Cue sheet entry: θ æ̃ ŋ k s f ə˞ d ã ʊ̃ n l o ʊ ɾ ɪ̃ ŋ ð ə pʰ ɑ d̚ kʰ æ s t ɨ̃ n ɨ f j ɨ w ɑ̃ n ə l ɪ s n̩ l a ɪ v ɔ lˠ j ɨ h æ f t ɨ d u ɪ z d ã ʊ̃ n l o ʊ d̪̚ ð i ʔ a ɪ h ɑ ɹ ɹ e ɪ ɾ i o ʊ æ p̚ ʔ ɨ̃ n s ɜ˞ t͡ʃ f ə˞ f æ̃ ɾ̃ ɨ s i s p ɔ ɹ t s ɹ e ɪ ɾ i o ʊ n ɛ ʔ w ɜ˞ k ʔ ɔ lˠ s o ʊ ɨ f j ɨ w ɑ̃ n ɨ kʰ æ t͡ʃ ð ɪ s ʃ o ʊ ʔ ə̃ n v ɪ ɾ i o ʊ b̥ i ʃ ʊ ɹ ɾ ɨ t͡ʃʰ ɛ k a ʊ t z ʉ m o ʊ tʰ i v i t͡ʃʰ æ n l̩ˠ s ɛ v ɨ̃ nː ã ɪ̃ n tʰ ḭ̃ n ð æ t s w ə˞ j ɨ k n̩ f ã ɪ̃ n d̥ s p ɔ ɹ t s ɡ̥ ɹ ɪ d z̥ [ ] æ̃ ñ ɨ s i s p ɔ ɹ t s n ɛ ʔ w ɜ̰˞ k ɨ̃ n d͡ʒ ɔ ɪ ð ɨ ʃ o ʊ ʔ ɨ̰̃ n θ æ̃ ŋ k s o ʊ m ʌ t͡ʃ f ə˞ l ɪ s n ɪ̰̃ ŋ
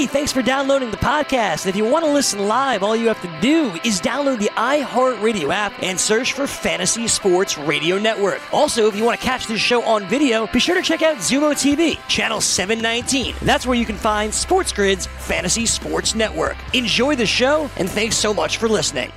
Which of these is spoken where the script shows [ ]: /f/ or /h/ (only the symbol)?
f